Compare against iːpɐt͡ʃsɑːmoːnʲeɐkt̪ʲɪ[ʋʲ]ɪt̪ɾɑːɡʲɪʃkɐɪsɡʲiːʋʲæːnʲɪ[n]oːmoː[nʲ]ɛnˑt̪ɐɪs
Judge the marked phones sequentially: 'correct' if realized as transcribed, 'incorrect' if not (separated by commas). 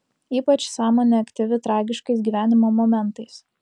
correct, incorrect, incorrect